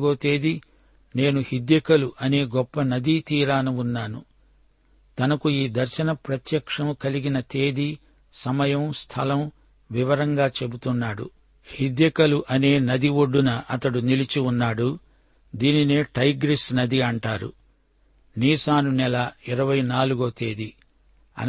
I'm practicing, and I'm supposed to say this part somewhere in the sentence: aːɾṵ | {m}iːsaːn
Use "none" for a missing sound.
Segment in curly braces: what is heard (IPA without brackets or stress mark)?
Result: n